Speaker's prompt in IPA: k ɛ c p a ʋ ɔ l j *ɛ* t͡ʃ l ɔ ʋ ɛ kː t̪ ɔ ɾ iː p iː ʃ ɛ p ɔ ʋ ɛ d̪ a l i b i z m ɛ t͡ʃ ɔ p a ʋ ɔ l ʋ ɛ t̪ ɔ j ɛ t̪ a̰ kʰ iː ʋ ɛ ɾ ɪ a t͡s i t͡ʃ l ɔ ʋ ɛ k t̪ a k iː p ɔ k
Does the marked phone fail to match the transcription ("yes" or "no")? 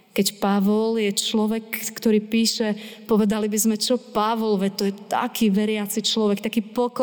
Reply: no